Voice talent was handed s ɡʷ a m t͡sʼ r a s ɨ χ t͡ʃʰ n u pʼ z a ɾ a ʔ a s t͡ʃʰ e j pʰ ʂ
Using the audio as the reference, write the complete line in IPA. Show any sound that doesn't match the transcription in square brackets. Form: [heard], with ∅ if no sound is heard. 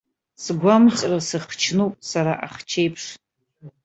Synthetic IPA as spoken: s ɡʷ a m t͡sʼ r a s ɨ χ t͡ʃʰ n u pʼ [s] a ɾ a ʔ a [χ] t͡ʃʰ e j pʰ ʂ